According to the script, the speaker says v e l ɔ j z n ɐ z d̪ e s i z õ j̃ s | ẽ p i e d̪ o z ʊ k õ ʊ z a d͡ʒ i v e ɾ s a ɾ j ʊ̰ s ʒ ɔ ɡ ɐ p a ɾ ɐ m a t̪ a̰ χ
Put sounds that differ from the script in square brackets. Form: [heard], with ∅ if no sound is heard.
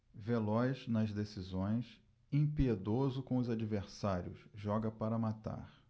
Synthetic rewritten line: v e l ɔ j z n ɐ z d̪ e s i z õ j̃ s | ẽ p i e d̪ o z ʊ k õ ʊ z a d͡ʒ i v e ɾ s a ɾ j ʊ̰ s ʒ ɔ ɡ ɐ p a ɾ ɐ m a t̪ a̰ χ